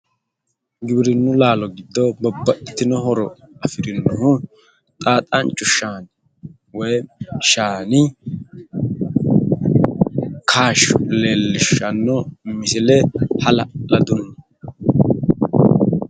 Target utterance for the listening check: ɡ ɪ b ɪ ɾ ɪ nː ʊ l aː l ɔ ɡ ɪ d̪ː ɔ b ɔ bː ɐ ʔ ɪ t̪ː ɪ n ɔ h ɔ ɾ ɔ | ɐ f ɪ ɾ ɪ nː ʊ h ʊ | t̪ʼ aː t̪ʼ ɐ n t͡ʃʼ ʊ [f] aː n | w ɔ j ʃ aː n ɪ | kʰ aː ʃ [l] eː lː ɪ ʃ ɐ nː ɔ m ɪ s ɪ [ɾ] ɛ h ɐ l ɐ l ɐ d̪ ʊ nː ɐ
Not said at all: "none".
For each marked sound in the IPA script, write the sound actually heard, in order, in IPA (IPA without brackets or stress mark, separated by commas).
ʃ, l, l